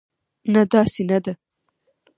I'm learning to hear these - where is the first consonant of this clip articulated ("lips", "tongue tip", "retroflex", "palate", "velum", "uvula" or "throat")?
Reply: tongue tip